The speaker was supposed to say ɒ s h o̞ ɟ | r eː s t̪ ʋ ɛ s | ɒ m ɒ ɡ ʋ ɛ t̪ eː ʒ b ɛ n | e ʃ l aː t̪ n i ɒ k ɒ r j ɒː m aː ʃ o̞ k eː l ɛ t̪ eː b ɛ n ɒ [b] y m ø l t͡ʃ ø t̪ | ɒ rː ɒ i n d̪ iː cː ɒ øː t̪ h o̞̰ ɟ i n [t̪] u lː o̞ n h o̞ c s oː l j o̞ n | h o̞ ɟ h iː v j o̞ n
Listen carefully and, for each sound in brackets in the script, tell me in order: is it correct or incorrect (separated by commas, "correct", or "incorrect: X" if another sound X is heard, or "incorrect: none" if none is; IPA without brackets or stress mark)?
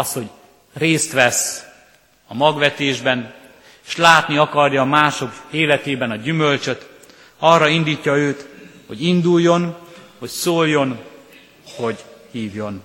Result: incorrect: ɟ, incorrect: d̪